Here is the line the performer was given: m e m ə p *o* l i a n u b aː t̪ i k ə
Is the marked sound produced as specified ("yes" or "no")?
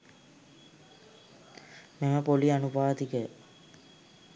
yes